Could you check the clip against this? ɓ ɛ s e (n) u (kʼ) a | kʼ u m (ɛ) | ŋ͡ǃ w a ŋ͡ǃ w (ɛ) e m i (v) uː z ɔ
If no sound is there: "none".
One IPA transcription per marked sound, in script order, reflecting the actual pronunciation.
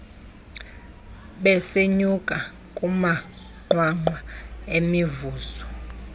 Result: ɲ, kʼ, a, a, v

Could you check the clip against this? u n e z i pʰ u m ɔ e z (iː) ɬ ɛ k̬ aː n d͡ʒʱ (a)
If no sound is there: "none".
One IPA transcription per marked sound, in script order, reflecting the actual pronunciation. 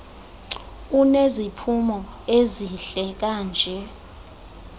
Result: i, ɛ

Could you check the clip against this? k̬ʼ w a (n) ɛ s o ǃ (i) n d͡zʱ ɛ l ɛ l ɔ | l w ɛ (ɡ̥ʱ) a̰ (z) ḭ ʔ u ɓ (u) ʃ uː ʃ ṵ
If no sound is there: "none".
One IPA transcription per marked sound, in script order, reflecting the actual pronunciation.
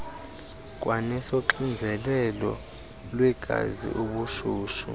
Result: n, i, ɡ̥ʱ, z, u

